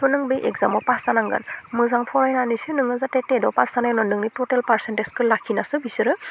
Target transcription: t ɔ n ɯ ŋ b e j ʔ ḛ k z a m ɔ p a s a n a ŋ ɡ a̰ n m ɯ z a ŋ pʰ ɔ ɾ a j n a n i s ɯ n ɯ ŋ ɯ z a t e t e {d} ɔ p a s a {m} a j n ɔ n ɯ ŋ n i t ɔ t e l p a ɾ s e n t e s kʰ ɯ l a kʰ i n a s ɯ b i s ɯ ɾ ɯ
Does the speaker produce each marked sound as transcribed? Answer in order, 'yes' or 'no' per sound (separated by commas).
yes, no